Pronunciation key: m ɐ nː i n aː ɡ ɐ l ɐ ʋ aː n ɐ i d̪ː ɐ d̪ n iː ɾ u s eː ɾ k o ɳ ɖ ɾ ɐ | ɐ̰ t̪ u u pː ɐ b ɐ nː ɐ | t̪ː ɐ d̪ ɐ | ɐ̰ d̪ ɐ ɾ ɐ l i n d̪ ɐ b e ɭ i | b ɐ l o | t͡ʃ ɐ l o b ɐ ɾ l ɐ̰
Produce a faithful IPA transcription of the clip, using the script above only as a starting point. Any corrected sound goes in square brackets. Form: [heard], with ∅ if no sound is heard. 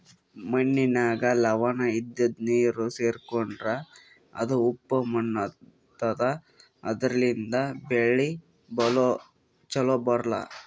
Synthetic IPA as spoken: m ɐ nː i n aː ɡ ɐ l ɐ ʋ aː n ɐ i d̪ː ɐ d̪ n iː ɾ u s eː ɾ k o ɳ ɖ ɾ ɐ | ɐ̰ [d̪] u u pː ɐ [m] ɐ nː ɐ | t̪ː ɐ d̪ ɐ | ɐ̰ d̪ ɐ ɾ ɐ l i n d̪ ɐ b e ɭ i | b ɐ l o | t͡ʃ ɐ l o b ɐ ɾ l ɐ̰